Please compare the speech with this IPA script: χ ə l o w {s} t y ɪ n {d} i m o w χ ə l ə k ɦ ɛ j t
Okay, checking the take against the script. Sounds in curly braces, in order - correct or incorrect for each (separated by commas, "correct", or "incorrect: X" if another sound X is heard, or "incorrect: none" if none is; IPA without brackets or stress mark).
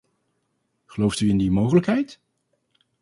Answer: incorrect: f, correct